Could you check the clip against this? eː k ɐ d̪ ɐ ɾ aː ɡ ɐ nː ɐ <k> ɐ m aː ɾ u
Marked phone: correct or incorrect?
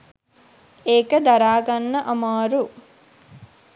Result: incorrect